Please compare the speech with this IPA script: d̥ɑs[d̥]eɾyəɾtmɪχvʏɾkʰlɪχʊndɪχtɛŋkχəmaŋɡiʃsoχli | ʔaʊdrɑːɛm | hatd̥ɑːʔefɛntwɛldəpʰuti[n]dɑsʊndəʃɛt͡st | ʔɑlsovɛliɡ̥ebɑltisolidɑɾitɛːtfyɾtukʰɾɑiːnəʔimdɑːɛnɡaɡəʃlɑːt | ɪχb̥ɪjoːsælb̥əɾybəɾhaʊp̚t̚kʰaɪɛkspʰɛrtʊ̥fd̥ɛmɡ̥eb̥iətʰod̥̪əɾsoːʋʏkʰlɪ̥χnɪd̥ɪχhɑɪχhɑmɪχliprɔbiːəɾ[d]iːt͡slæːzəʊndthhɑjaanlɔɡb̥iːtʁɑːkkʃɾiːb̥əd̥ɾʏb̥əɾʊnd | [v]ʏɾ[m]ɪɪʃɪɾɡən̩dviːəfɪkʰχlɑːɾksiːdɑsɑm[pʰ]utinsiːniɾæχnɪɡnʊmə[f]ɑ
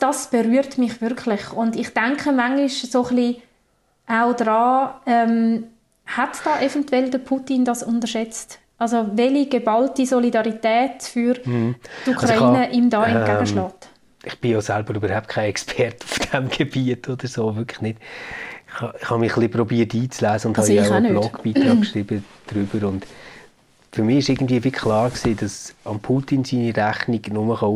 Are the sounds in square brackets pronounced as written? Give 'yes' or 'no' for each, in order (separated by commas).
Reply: no, yes, no, no, yes, yes, no